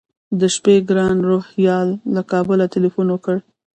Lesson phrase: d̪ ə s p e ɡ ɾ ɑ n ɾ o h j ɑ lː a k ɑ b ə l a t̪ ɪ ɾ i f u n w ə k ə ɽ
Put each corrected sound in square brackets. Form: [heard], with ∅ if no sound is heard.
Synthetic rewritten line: d̪ ə [ʃ] p e ɡ ɾ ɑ n ɾ o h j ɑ lː a k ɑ b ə l a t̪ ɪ [l] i f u n w ə k ə ɽ